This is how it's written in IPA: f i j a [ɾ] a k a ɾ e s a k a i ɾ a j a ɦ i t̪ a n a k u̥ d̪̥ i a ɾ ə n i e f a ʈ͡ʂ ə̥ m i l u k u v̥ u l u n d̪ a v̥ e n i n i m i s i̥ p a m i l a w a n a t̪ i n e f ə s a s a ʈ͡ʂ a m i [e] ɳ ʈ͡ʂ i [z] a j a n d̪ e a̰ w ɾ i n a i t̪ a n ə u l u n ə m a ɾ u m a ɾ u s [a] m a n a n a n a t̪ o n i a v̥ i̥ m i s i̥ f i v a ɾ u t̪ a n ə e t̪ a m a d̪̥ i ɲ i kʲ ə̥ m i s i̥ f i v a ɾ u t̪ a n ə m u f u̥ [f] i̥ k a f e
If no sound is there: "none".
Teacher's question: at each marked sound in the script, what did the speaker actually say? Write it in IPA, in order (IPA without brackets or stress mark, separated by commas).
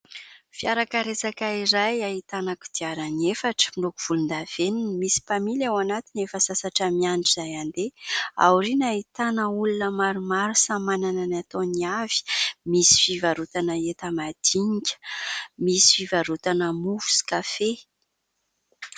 ɾ, a, z, a, s